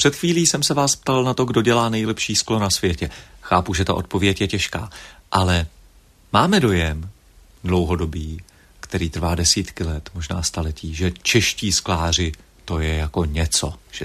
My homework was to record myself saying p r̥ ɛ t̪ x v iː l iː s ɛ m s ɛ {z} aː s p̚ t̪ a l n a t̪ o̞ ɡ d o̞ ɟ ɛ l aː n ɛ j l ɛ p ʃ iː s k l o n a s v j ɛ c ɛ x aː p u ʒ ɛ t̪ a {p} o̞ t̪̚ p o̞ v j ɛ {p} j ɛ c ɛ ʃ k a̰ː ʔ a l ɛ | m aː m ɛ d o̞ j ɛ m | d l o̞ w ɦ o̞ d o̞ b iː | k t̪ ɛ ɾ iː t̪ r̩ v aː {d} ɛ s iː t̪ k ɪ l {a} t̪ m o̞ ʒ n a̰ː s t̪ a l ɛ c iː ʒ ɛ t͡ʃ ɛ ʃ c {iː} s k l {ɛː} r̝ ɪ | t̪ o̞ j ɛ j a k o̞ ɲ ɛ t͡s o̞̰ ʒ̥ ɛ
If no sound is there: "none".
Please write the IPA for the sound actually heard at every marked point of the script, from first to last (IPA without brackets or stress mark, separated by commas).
v, ʔ, c, d, ɛ, iː, aː